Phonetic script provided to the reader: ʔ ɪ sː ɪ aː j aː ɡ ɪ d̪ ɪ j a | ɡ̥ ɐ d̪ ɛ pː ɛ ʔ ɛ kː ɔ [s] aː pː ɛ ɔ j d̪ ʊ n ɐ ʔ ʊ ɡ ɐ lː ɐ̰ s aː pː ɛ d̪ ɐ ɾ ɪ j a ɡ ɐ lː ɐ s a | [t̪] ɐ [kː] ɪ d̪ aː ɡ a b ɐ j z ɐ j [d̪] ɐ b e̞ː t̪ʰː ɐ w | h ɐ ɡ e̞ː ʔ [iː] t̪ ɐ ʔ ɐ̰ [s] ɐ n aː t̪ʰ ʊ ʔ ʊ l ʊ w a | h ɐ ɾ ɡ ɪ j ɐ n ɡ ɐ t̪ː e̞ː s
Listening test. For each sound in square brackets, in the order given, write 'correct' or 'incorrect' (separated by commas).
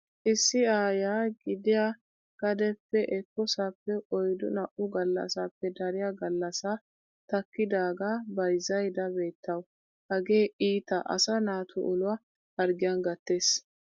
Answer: correct, correct, correct, correct, correct, correct